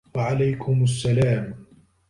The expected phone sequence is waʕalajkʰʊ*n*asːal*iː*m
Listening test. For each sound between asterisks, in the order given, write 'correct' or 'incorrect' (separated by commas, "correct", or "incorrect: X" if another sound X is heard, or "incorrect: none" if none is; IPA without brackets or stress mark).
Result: incorrect: m, incorrect: aː